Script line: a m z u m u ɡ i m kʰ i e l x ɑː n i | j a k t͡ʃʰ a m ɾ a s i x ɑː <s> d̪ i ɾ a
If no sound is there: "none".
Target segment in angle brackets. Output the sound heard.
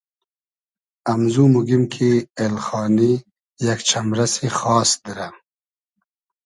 s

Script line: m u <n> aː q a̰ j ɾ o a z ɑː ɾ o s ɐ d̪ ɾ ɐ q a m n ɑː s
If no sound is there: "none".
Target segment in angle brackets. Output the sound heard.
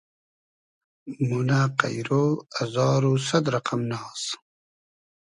n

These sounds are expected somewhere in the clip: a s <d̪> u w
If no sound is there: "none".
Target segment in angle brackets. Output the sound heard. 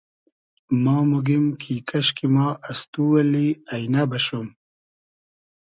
t̪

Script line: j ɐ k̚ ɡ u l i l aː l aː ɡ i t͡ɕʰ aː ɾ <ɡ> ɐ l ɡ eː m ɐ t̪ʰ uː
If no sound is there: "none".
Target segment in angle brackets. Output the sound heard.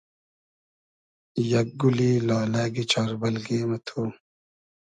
b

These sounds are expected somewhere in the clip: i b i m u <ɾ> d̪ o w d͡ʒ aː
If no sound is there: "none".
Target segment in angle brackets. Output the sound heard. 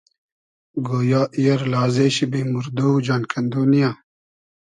ɾ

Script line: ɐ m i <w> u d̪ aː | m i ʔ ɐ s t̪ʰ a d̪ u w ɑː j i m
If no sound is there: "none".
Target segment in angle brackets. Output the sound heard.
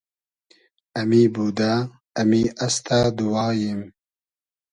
b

